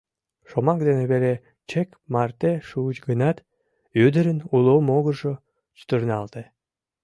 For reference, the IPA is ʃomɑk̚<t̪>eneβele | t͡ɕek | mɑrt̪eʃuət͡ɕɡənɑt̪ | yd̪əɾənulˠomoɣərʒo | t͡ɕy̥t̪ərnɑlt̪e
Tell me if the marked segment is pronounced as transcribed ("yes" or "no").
no